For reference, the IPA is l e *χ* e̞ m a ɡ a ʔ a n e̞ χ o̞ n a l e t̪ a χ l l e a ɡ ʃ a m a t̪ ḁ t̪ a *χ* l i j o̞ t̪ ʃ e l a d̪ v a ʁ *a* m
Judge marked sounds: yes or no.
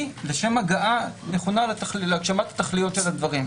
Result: no, yes, no

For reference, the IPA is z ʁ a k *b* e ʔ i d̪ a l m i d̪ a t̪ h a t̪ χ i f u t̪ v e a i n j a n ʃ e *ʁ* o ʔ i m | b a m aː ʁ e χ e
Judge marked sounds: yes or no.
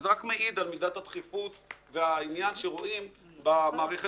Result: no, yes

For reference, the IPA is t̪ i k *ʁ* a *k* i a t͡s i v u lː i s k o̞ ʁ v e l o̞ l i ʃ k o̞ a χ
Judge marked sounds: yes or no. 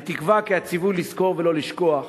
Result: no, yes

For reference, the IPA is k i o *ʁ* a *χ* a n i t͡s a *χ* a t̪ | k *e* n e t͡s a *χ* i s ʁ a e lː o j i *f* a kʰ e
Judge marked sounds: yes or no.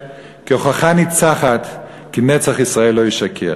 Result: no, yes, yes, no, yes, no

